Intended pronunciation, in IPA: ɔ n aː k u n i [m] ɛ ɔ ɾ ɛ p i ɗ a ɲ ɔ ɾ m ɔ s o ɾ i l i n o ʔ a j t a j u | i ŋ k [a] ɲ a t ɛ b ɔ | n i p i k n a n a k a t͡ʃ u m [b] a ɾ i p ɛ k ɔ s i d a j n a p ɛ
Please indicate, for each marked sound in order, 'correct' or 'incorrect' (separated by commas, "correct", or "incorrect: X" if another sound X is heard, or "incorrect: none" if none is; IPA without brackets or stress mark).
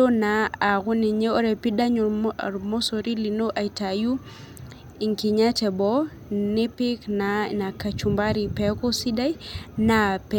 incorrect: ɲ, incorrect: i, correct